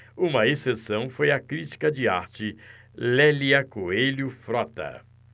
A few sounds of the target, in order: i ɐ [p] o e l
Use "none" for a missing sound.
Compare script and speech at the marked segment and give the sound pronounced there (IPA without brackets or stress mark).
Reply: k